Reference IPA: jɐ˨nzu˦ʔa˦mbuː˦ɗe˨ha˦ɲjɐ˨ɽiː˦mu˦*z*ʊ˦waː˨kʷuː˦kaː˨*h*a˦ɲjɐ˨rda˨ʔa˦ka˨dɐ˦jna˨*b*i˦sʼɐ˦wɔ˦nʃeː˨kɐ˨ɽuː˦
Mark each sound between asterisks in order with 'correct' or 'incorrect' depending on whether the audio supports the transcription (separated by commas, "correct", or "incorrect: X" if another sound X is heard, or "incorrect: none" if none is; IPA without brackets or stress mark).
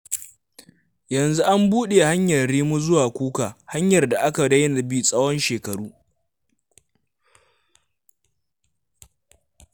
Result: correct, correct, correct